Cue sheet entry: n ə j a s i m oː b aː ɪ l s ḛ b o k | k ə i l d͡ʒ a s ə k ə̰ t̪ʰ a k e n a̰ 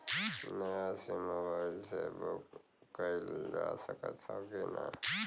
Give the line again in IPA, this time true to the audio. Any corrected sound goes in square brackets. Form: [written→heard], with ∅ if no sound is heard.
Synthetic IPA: n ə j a s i m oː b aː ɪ l s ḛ b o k | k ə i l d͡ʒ a s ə k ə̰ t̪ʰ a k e n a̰